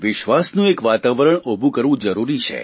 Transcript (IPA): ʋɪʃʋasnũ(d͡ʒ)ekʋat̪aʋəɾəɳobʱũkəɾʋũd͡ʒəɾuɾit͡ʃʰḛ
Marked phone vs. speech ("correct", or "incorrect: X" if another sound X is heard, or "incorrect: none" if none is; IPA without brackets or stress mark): incorrect: none